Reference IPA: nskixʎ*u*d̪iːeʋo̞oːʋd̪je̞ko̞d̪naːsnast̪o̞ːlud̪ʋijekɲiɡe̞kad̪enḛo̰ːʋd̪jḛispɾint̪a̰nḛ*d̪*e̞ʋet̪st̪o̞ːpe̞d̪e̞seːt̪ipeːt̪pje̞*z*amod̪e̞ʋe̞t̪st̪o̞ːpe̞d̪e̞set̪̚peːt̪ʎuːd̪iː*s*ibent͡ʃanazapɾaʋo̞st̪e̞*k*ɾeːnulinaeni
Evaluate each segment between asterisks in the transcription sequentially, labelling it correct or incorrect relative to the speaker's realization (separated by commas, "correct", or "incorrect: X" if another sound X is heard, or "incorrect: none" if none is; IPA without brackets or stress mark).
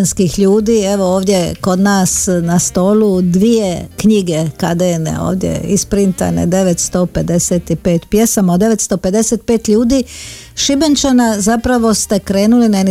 incorrect: uː, correct, incorrect: s, incorrect: ʃ, correct